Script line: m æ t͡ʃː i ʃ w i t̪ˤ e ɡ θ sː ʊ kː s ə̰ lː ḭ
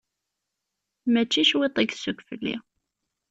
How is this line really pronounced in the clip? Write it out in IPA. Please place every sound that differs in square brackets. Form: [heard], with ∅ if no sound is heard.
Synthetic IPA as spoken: m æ t͡ʃː i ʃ w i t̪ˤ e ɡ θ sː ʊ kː [f] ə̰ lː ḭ

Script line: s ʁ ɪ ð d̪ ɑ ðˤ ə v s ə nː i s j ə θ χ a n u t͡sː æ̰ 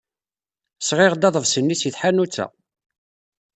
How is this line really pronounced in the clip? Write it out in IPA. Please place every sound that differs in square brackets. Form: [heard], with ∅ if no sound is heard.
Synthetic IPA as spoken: s ʁ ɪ [ʁ] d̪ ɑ ðˤ ə v s ə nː i s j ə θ [ħ] a n u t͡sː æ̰

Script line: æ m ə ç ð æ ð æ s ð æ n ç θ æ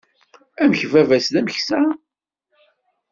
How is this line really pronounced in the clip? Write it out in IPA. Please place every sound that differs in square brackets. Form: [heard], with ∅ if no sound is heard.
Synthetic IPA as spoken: æ m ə ç [v] æ [v] æ s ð æ [m] ç [s] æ

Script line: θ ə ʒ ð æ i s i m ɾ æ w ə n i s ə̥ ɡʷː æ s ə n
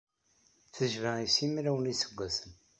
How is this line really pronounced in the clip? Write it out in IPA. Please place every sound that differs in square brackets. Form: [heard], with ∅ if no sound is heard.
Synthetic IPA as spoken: θ ə ʒ [v] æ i s i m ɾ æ w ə n i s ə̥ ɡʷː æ s ə n

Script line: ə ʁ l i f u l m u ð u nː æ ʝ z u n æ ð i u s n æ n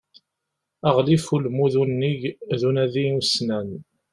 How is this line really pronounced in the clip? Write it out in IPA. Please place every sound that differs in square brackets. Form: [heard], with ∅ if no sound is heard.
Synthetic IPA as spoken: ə ʁ l i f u l m u ð u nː [i] ʝ [ð] u n æ ð i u s n æ n

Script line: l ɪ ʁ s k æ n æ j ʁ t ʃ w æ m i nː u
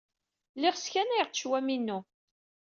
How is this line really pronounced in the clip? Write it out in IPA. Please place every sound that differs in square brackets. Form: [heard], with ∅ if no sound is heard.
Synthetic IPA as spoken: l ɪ ʁ s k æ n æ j ʁ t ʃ w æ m i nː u

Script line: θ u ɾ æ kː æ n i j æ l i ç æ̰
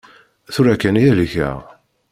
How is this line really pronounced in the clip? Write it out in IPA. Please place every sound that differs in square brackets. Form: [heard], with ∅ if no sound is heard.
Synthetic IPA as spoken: θ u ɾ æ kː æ n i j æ l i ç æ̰

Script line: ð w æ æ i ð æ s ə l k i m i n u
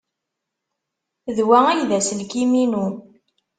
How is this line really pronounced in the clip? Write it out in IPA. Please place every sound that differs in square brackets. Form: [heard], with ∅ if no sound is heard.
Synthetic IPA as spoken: ð w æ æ [j] ð æ s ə l k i m i n u

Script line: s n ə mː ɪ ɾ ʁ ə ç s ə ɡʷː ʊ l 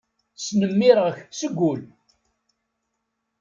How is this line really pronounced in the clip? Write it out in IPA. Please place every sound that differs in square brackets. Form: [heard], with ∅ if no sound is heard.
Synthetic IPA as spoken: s n ə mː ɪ ɾ ʁ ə ç s ə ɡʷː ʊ l

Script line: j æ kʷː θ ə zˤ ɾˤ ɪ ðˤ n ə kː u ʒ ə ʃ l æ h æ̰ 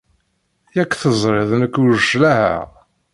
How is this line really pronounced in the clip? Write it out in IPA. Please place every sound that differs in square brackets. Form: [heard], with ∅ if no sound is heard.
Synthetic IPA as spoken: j æ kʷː θ ə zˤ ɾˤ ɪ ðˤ n ə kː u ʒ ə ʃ l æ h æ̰

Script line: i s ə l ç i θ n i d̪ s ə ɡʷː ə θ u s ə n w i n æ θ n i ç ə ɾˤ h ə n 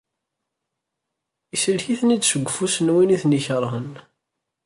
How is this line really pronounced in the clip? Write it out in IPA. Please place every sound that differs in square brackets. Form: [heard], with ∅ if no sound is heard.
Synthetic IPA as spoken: i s ə l ç i θ n i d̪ s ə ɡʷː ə [f] u s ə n w i n [i] θ n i ç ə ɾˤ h ə n

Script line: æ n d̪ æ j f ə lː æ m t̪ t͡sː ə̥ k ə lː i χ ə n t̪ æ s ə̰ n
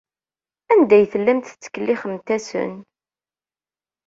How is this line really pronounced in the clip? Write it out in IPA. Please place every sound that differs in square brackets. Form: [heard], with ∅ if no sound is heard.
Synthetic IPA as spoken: æ n d̪ æ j [θ] ə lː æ m t̪ t͡sː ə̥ k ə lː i χ ə [m] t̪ æ s ə̰ n

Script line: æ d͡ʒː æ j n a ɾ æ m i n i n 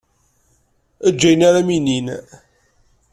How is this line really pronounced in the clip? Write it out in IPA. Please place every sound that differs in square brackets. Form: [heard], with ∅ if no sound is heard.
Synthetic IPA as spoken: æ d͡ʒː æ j n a ɾ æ m i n i n

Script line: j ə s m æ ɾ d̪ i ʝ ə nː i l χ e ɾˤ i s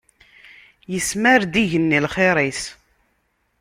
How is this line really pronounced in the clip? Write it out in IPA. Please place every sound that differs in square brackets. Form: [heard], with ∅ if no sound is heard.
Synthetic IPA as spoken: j ə s m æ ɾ d̪ i ʝ ə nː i l χ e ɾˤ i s

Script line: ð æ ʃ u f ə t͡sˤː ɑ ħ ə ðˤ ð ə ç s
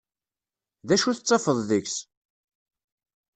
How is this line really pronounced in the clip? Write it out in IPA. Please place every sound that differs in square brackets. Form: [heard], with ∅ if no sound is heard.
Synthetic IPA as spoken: ð æ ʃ u [θ] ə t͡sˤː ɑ [f] ə ðˤ ð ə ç s

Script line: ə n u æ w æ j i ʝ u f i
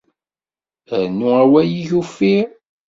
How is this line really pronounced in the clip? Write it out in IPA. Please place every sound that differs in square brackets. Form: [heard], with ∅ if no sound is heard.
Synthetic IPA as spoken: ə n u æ w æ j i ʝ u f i

